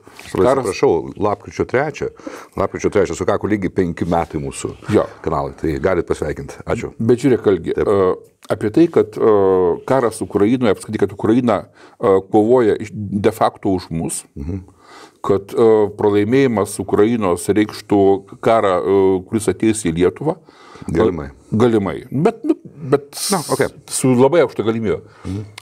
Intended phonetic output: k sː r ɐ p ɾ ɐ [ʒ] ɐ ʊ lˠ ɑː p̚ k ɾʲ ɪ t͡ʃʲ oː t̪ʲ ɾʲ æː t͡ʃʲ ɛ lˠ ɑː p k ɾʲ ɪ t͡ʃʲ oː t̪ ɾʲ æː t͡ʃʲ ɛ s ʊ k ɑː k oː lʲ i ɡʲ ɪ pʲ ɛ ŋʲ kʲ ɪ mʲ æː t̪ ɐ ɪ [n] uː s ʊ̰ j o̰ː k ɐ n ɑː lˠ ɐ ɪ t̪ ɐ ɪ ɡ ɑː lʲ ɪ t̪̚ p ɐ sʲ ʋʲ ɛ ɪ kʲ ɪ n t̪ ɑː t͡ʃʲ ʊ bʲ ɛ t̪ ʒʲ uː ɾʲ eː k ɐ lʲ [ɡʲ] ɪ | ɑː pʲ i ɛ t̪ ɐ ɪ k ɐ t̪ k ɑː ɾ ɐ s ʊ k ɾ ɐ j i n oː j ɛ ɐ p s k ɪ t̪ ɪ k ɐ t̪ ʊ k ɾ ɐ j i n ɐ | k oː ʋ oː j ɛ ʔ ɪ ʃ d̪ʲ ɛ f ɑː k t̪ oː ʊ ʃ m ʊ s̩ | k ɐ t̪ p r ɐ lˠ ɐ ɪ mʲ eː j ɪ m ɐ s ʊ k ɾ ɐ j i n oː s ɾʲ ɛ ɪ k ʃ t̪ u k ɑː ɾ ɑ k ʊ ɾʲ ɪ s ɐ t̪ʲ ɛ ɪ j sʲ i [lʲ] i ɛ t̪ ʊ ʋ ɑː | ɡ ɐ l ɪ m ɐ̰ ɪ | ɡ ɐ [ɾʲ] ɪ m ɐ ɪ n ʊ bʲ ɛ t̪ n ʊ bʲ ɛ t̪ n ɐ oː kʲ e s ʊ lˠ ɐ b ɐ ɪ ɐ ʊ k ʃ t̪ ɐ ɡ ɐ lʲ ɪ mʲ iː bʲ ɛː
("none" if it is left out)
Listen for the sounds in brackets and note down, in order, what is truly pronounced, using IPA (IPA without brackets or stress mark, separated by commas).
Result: ʃ, m, ɡʲ, lʲ, lʲ